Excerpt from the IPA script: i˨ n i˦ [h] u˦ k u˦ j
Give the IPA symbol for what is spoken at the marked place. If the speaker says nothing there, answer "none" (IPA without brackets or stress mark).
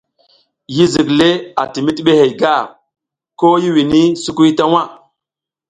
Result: s